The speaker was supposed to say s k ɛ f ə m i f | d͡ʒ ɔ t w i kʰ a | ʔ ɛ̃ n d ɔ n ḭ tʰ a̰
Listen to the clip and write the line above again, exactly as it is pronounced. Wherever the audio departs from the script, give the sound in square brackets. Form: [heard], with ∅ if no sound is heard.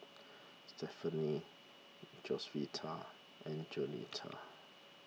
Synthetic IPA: s [t] ɛ f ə [n] i [∅] | d͡ʒ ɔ [s] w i [tʰ] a | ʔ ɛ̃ n [d͡ʒ] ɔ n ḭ tʰ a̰